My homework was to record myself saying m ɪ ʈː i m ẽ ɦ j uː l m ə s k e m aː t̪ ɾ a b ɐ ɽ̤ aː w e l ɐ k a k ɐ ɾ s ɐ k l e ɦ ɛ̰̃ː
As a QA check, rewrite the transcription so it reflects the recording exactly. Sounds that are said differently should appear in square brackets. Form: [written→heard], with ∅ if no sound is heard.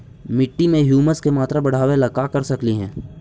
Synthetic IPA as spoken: m ɪ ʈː i m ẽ ɦ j uː [l→∅] m ə s k e m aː t̪ ɾ a b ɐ ɽ̤ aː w e l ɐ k a k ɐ ɾ s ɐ k l [e→i] ɦ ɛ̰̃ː

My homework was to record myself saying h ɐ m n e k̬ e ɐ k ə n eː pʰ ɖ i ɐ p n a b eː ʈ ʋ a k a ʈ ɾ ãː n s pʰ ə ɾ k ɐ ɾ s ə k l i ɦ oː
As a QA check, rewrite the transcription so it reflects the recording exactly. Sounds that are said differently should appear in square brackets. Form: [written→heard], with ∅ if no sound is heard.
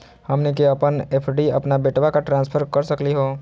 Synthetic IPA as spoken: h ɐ m n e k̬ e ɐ [k→p] ə n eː pʰ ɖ i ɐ p n a b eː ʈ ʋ a k a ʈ ɾ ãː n s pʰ ə ɾ k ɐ ɾ s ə k l i ɦ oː

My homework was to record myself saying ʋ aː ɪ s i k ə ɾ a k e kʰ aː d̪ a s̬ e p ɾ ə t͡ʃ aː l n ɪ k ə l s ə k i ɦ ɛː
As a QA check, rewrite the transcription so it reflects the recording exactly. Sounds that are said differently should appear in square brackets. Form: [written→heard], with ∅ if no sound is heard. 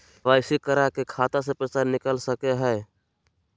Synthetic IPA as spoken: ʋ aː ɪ s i k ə ɾ a k e kʰ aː [d̪→t̪] a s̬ e p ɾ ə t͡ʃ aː [l→ɾ] n ɪ k ə l s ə k [i→e] ɦ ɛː

